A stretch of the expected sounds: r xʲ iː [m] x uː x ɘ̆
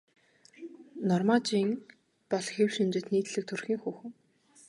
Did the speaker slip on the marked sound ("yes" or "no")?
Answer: yes